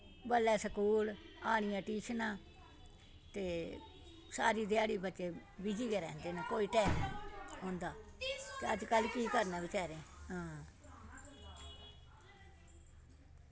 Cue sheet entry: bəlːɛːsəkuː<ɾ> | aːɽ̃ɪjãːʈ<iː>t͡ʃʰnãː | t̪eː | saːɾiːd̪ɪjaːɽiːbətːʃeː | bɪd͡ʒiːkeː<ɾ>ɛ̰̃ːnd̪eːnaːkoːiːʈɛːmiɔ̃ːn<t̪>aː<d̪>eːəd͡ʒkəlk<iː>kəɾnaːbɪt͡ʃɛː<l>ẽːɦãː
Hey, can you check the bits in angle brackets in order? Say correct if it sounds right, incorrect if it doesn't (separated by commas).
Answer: incorrect, correct, correct, incorrect, incorrect, correct, incorrect